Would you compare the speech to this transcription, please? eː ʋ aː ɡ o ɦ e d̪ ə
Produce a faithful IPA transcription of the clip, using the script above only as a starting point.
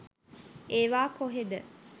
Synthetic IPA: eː ʋ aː k o ɦ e d̪ ə